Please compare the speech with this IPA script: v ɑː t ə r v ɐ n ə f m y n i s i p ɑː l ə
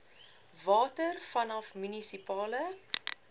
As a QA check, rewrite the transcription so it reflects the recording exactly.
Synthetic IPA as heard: v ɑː t ə r f ɐ n ɐ f m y n i s i p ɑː l ə

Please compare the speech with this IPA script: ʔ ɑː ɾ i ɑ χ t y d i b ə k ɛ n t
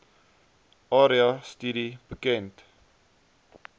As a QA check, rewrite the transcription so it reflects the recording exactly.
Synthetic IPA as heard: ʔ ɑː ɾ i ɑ s t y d i b ə k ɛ n t

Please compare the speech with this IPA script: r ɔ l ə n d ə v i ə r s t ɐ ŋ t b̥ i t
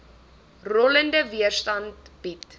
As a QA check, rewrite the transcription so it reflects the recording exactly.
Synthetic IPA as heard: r ɔ l ə n d ə v i ə r s t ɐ n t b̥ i t

